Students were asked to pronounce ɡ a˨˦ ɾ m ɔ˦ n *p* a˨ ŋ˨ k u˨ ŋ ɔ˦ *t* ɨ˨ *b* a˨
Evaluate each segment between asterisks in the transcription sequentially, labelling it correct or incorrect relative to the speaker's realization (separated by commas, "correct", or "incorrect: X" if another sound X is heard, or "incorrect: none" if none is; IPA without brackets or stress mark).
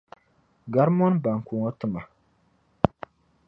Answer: incorrect: b, correct, incorrect: m